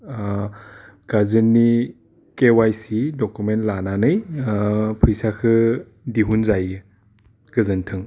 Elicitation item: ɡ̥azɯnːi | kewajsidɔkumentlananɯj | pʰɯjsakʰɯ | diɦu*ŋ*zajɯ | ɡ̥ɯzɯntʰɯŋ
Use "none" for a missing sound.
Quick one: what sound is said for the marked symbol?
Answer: n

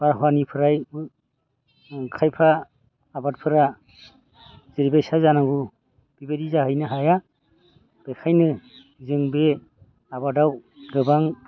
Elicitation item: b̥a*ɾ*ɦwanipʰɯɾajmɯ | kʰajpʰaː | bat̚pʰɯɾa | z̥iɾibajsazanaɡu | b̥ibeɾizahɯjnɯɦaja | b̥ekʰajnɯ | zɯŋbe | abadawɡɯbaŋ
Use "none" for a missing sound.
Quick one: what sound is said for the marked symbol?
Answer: ɾ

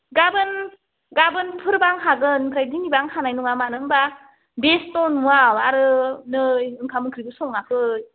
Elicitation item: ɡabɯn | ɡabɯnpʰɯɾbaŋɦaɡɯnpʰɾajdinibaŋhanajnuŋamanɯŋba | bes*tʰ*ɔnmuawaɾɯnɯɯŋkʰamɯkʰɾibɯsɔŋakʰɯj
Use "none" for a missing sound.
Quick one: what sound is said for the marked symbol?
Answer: t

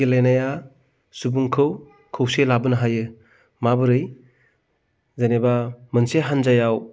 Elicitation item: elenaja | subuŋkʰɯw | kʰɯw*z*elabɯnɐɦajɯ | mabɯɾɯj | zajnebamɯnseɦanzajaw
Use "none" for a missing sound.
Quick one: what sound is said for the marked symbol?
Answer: s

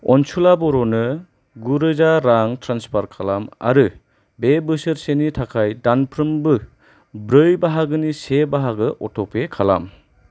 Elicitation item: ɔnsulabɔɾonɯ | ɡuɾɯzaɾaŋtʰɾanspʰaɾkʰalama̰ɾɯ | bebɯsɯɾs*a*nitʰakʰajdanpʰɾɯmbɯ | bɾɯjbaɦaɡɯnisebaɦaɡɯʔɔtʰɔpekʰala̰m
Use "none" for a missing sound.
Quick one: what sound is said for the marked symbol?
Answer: e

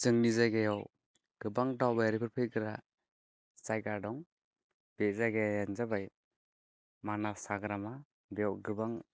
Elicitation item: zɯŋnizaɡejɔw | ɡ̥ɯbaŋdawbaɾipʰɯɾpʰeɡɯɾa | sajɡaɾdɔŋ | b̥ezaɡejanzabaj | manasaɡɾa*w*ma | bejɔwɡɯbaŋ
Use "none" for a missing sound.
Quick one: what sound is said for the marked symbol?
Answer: none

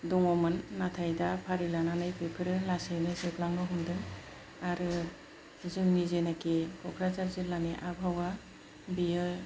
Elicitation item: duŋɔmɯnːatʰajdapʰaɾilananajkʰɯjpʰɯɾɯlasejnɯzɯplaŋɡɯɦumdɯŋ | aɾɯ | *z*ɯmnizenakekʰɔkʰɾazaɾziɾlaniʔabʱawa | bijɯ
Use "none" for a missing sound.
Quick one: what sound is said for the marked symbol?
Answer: z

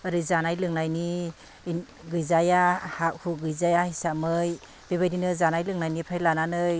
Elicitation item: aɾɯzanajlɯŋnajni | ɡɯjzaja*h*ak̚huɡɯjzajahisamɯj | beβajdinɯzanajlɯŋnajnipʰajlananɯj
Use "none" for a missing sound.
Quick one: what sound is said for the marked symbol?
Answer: h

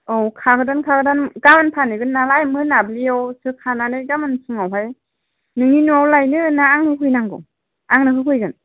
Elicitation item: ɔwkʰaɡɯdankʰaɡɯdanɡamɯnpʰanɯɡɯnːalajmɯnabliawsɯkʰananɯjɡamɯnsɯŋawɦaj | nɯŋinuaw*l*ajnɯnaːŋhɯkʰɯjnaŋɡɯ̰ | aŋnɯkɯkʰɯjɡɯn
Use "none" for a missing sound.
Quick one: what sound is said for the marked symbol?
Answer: l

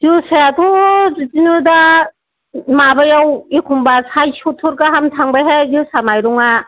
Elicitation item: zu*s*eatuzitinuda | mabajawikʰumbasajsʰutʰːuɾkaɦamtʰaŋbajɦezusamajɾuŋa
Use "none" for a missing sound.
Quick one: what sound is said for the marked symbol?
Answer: s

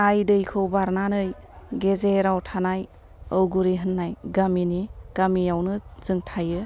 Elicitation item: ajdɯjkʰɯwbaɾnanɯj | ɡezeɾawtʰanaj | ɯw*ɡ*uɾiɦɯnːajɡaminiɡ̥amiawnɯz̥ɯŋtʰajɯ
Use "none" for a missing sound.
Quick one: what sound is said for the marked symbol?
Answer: ɡ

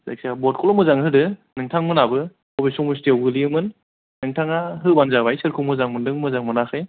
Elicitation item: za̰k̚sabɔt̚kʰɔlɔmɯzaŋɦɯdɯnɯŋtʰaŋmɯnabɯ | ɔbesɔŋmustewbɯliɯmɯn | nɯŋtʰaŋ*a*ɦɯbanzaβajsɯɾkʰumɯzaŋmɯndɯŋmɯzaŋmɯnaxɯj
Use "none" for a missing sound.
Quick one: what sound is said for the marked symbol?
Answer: a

